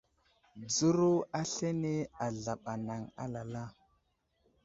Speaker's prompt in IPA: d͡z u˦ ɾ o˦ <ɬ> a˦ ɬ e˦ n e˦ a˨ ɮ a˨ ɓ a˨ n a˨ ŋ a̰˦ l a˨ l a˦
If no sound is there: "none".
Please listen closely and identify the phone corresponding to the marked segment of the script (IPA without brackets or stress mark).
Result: none